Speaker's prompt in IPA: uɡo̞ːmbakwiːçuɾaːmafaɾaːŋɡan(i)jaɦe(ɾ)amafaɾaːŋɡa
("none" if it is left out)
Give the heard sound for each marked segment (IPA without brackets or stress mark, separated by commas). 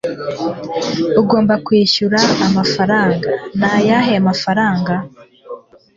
a, none